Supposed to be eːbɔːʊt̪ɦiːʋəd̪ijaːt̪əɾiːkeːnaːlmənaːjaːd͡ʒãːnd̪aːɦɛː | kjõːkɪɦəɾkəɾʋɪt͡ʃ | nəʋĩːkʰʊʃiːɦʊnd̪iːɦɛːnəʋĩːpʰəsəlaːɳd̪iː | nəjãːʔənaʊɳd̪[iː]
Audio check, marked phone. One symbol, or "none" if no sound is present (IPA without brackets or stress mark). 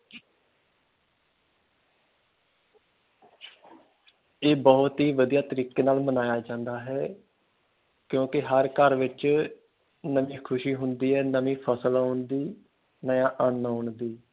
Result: iː